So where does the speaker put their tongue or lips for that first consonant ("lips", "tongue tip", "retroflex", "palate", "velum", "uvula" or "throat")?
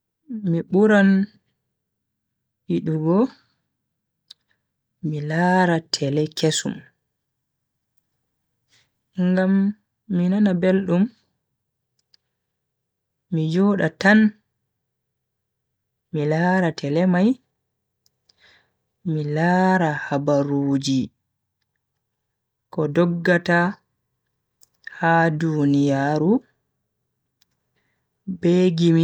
lips